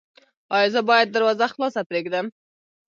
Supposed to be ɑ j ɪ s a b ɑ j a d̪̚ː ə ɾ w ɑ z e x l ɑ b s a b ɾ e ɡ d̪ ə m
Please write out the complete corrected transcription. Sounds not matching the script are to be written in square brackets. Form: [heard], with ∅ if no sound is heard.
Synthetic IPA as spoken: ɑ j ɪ [z] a b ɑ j a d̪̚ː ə ɾ w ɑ z [a] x l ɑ [∅] s a [p] ɾ e ɡ d̪ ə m